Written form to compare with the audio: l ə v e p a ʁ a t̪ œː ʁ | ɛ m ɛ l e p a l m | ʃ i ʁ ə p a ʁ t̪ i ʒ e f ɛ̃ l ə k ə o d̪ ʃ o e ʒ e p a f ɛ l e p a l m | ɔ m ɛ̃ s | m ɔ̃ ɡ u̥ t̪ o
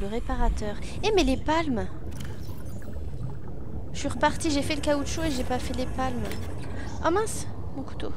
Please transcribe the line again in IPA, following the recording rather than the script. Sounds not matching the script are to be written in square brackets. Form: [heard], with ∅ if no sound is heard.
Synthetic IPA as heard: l ə [ʁ] e p a ʁ a t̪ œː ʁ | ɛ m ɛ l e p a l m | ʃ i ʁ ə p a ʁ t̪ i ʒ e f [ɛ] l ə k [a] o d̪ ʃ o e ʒ e p a f ɛ l e p a l m | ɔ m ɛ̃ s | m ɔ̃ [k] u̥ t̪ o